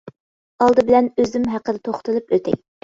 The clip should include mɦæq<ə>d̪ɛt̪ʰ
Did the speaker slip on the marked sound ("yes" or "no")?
no